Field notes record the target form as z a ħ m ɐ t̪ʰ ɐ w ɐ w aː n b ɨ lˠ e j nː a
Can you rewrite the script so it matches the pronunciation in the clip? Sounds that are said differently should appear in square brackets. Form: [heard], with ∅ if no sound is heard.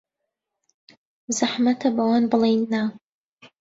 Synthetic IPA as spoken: z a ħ m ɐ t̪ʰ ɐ [b] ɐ w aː n b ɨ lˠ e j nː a